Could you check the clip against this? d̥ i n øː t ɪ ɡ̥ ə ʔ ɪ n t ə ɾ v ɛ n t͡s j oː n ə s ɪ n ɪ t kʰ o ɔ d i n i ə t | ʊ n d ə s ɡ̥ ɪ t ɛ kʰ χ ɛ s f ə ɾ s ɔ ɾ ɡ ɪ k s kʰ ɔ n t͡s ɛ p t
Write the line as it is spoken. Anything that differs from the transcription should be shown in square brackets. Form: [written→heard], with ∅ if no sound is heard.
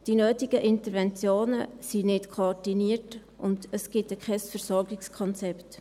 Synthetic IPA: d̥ i n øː t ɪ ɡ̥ ə ʔ ɪ n t ə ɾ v ɛ n t͡s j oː n ə s [ɪ→i] n ɪ t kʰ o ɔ d i n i ə t | ʊ n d ə s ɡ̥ ɪ t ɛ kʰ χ ɛ s f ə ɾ s ɔ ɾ ɡ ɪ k s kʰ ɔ n t͡s ɛ p t